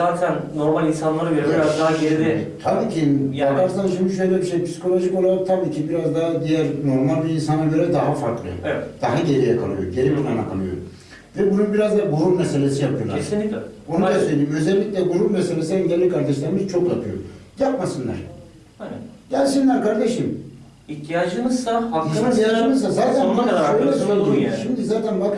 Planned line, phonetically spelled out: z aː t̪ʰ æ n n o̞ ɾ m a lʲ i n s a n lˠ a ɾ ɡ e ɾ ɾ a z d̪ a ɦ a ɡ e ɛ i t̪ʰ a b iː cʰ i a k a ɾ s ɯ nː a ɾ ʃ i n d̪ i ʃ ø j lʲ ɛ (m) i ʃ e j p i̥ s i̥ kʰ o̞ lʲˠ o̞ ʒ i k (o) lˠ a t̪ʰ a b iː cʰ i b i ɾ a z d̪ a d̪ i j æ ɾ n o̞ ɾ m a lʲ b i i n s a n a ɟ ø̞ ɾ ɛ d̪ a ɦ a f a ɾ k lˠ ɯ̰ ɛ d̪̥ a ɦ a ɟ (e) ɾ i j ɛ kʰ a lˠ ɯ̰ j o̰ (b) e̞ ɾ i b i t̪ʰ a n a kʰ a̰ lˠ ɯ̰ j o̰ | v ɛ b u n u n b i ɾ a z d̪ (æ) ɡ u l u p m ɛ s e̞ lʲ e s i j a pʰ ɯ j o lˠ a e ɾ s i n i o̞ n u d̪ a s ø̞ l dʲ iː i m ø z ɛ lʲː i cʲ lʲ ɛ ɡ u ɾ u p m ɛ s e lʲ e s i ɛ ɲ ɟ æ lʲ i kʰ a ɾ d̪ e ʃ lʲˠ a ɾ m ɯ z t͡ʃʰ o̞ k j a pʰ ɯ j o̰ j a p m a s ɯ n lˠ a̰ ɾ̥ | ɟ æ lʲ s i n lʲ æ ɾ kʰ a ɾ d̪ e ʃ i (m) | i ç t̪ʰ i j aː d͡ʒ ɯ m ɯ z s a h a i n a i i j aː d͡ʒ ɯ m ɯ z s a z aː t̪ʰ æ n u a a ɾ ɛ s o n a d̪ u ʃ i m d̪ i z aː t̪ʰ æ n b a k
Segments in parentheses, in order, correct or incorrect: incorrect: b, correct, correct, incorrect: ɟ, incorrect: a, correct

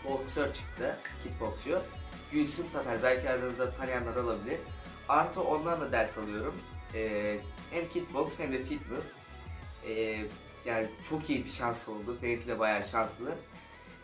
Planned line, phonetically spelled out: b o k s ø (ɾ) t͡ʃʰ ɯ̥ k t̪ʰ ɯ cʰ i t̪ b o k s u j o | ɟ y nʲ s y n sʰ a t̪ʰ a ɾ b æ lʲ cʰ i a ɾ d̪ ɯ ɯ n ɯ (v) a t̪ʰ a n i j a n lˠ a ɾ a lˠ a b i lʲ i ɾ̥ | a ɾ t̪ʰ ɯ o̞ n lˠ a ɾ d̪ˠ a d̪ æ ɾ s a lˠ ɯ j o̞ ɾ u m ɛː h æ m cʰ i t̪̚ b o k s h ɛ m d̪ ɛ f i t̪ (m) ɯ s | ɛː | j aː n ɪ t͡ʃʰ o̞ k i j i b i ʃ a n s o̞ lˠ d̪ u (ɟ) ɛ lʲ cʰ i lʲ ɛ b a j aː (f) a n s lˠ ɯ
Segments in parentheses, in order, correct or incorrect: correct, incorrect: z, incorrect: n, incorrect: b, incorrect: ʃ

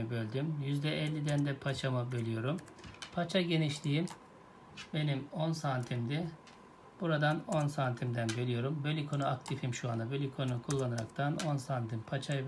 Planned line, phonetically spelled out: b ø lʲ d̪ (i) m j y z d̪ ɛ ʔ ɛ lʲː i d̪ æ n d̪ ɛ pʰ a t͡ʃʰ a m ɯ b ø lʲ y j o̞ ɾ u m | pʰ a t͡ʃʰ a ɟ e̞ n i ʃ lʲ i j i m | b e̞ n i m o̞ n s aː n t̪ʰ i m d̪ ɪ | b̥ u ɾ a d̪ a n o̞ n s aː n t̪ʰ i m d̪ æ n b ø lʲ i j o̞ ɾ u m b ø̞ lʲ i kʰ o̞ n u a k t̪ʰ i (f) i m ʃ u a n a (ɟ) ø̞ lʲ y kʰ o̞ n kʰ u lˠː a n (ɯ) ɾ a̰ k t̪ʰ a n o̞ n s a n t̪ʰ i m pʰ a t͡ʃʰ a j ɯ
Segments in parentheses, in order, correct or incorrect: incorrect: y, correct, incorrect: b, correct

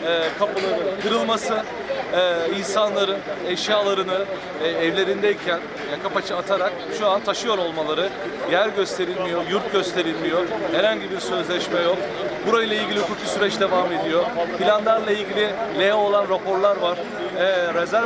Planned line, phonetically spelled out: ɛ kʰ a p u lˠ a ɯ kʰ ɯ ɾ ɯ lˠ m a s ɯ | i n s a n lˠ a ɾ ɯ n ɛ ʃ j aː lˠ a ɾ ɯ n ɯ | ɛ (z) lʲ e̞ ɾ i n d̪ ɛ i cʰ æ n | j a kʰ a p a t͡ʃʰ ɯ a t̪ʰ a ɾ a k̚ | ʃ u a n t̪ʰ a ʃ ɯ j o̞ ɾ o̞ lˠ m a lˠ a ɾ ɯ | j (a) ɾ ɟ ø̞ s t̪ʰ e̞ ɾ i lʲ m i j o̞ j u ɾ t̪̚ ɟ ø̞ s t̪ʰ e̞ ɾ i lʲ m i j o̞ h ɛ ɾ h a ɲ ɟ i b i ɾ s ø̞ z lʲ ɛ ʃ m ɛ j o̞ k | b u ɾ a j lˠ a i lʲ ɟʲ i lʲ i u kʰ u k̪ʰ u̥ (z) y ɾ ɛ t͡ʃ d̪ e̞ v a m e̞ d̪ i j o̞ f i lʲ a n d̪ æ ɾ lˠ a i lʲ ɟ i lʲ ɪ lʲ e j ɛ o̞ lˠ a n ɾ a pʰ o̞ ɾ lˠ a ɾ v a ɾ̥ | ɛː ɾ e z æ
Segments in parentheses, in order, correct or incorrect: incorrect: v, incorrect: æ, incorrect: s

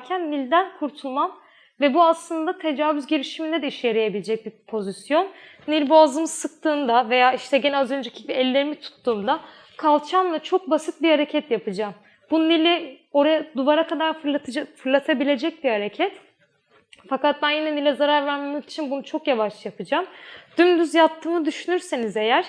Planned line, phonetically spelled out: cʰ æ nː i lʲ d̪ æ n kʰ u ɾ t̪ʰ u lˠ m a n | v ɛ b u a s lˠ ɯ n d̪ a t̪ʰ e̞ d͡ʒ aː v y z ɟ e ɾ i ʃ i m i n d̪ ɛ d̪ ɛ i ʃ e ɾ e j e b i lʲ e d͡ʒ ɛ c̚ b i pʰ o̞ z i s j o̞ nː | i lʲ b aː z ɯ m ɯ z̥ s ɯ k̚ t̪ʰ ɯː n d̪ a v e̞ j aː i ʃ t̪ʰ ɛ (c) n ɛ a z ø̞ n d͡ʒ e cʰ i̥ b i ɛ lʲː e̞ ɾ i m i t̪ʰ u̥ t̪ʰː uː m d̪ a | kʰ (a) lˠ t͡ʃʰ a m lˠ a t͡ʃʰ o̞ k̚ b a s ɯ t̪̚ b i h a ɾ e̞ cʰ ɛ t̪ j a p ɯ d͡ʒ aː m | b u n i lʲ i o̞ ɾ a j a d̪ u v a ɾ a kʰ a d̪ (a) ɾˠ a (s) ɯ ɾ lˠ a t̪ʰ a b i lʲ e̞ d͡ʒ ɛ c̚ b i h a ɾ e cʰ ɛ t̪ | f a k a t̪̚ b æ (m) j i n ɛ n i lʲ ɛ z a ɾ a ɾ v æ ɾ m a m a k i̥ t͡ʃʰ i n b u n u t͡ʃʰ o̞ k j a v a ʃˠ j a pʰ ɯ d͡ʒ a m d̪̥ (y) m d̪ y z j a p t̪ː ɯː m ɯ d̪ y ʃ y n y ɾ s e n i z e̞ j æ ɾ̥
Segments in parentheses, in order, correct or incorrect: incorrect: ɟ, correct, correct, incorrect: f, incorrect: n, correct

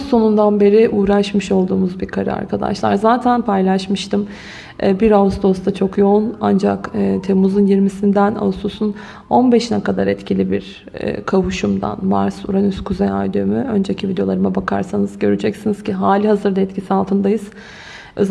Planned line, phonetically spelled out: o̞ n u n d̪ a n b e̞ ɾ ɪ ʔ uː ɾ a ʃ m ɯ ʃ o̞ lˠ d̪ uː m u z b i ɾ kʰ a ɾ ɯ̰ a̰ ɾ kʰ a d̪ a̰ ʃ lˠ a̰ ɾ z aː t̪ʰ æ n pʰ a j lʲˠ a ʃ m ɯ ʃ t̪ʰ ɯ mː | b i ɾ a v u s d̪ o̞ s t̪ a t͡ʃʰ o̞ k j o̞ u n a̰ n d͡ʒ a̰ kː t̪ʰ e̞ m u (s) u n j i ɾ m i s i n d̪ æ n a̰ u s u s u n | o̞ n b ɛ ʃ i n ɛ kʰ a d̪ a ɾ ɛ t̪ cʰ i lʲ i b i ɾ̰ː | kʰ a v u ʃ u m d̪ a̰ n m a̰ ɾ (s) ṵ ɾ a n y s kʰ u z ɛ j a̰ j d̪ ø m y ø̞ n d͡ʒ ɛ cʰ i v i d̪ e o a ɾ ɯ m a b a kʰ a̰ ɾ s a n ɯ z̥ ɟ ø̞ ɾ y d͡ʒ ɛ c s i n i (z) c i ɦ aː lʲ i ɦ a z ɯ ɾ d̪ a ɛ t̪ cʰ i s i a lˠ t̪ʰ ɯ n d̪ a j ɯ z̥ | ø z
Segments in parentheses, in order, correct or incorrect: incorrect: z, correct, correct

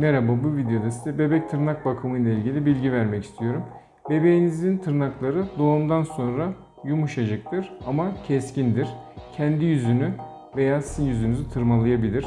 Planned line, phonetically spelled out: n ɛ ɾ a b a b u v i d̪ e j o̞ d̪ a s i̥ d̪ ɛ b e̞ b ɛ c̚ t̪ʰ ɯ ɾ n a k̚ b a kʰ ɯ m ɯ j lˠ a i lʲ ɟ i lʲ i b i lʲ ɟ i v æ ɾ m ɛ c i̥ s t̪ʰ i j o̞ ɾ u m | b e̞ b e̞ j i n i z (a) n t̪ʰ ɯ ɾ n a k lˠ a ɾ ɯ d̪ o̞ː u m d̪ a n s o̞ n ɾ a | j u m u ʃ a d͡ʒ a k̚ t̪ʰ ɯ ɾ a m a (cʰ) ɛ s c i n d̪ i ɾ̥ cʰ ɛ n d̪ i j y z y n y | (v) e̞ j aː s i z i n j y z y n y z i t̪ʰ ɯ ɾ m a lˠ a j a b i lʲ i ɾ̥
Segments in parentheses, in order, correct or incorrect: incorrect: i, correct, correct

